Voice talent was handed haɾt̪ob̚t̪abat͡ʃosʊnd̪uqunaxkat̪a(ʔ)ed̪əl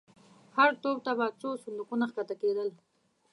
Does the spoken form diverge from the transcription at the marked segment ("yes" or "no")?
yes